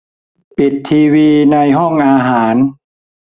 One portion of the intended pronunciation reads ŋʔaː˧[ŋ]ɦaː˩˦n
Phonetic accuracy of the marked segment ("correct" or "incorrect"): incorrect